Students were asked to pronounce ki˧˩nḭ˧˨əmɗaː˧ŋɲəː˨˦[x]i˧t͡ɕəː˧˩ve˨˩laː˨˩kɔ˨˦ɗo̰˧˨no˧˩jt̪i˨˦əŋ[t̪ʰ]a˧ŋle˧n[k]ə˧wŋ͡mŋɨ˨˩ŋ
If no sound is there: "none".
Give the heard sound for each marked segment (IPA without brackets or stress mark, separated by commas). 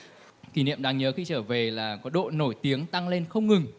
x, t̪, x